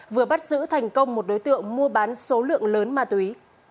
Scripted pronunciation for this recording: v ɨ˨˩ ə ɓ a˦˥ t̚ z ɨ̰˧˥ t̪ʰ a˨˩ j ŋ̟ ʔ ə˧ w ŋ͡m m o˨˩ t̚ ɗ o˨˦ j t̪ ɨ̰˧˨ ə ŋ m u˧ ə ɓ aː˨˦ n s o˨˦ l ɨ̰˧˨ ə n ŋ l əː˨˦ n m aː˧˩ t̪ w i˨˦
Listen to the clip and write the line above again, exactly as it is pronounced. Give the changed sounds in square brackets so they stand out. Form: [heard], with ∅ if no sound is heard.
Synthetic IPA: v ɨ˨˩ ə ɓ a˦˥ t̚ z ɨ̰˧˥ t̪ʰ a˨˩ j ŋ̟ [k] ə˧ w ŋ͡m m o˨˩ t̚ ɗ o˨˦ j t̪ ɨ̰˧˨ ə ŋ m u˧ ə ɓ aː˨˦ n s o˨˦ l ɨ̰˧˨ ə [∅] ŋ l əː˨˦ n m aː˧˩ t̪ w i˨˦